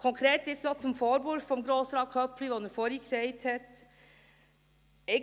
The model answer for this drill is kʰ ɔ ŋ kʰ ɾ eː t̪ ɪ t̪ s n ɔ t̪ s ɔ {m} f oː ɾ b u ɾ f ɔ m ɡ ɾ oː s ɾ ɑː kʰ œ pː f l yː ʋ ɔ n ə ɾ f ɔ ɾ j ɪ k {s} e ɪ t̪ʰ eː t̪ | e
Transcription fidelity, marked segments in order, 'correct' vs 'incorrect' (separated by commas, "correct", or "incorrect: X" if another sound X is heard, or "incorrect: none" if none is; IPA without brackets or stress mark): correct, correct